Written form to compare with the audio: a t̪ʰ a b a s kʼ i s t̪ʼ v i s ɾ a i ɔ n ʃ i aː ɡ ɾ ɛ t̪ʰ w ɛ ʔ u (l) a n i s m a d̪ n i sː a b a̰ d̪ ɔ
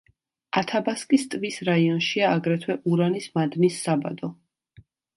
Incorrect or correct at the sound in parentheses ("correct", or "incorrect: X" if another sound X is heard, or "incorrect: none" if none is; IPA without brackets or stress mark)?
incorrect: ɾ